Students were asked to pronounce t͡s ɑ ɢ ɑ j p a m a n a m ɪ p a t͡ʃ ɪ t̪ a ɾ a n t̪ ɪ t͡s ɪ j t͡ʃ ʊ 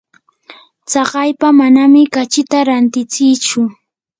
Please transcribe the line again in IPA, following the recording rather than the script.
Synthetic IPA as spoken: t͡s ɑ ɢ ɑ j p a m a n a m ɪ k a t͡ʃ ɪ t̪ a ɾ a n t̪ ɪ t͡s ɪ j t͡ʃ ʊ

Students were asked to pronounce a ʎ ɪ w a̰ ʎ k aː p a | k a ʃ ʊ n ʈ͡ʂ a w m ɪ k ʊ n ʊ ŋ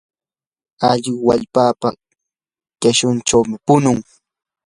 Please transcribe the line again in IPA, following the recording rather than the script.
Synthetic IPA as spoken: a ʎ ɪ w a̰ ʎ p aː p a | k a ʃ ʊ n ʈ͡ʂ a w m ɪ p ʊ n ʊ ŋ

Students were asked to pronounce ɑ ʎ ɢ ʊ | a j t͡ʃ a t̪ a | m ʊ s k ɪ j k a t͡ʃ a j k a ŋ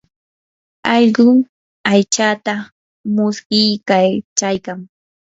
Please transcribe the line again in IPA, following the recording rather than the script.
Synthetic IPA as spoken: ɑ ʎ ɢ ʊ | a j t͡ʃ a t̪ a | m ʊ s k ɪ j k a t͡ʃ a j k a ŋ

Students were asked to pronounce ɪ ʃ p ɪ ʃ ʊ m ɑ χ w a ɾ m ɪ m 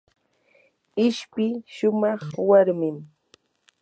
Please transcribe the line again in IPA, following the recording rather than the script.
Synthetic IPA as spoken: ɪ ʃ p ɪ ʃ ʊ m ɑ χ w a ɾ m ɪ m

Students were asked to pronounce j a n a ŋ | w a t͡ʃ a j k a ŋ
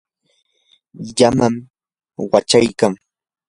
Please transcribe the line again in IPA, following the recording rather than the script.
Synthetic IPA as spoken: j a m a m | w a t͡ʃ a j k a ŋ

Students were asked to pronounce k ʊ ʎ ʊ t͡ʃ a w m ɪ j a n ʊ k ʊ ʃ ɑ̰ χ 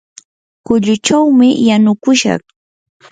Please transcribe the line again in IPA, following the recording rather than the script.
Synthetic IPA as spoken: k ʊ ʎ ʊ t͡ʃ a w m ɪ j a n ʊ k ʊ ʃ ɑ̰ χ

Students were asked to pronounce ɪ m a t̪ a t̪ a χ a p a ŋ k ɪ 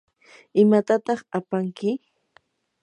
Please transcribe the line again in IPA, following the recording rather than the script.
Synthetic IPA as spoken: ɪ m a t̪ a t̪ ɑ χ a p a ŋ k ɪ

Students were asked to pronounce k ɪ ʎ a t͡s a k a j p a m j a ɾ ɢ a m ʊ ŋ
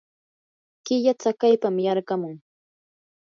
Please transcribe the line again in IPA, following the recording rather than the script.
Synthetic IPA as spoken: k ɪ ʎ a t͡s a k a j p a m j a ɾ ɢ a m ʊ ŋ

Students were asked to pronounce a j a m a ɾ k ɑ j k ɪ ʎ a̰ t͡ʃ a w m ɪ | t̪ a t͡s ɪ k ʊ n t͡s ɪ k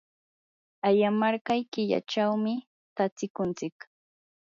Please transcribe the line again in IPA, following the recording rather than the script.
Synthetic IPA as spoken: a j a m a ɾ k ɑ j k ɪ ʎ a̰ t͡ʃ a w m ɪ | t̪ a t͡s ɪ k ʊ n t͡s ɪ k

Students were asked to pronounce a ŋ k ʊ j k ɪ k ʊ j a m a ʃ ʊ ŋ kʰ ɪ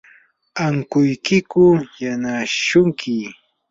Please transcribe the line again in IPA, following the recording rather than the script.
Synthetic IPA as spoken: a ŋ k ʊ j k ɪ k ʊ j a n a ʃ ʊ ŋ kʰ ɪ

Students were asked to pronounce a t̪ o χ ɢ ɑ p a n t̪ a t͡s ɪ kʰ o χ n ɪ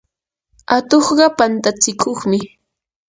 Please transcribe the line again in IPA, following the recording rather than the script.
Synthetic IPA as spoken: a t̪ o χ ɢ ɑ p a n t̪ a t͡s ɪ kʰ o χ m ɪ

